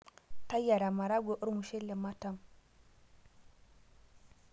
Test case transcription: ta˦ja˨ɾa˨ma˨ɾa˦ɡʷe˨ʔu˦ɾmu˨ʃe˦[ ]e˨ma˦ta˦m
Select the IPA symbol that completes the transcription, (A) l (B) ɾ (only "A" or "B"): A